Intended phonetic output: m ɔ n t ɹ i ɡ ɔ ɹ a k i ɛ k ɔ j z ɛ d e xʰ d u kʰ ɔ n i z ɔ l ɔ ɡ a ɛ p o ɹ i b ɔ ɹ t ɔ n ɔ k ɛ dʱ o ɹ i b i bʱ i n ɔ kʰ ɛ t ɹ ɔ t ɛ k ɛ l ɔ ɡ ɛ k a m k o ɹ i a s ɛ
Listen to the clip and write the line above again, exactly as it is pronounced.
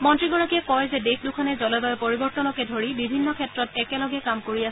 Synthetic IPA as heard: m ɔ n t ɹ i ɡ ɔ ɹ a k i ɛ k ɔ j z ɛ d e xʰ d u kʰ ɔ n ɛ z ɔ l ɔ b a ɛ p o ɹ i b ɔ ɹ t ɔ n ɔ k ɛ dʱ o ɹ i b i bʱ i nː ɔ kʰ ɛ t ɹ ɔ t ɛ k ɛ l ɔ ɡ ɛ k a m k o ɹ i a s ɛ